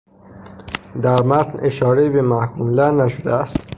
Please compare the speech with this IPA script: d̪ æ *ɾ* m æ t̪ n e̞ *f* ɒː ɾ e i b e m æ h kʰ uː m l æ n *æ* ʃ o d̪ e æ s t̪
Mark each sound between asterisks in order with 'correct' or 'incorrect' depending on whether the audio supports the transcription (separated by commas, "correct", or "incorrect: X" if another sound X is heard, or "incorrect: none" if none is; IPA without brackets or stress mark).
correct, incorrect: ʃ, correct